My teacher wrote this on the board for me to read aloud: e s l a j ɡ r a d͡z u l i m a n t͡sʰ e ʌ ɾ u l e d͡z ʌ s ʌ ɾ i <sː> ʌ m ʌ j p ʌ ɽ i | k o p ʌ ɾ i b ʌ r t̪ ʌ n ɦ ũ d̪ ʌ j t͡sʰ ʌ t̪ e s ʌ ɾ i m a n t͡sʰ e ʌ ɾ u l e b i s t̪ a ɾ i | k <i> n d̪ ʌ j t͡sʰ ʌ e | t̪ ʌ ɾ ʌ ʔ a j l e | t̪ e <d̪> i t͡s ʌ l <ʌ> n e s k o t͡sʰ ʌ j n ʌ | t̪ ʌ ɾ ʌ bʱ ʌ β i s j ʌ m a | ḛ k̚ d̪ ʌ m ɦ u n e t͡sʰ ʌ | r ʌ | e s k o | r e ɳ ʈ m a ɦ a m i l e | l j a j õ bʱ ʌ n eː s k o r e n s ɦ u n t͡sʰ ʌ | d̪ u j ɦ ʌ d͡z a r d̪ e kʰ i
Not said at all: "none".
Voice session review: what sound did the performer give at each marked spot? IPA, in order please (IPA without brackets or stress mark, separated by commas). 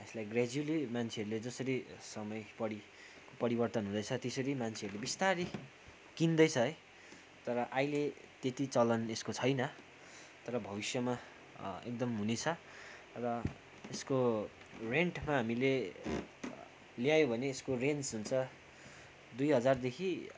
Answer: s, i, t̪, ʌ